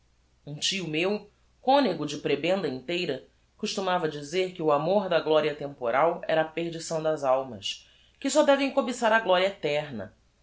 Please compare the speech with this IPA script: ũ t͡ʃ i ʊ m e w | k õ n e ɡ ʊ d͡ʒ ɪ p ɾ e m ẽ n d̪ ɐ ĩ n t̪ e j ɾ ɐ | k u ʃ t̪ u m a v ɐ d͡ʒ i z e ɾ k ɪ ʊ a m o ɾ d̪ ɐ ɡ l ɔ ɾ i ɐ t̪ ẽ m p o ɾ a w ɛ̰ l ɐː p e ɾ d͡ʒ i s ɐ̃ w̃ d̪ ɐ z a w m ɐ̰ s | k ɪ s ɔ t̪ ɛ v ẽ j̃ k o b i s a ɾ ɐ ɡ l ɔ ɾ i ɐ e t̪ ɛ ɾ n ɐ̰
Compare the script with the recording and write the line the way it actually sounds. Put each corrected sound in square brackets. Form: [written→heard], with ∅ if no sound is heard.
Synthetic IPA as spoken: ũ t͡ʃ i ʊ m e w | k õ n e ɡ ʊ d͡ʒ ɪ p ɾ e [m→b] ẽ n d̪ ɐ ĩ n t̪ e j ɾ ɐ | k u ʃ t̪ u m a v ɐ d͡ʒ i z e ɾ k ɪ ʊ a m o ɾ d̪ ɐ ɡ l ɔ ɾ i ɐ t̪ ẽ m p o ɾ a w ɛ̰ [l→ɾ] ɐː p e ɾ d͡ʒ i s ɐ̃ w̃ d̪ ɐ z a w m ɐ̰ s | k ɪ s ɔ [t̪→d̪] ɛ v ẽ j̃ k o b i s a ɾ ɐ ɡ l ɔ ɾ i ɐ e t̪ ɛ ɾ n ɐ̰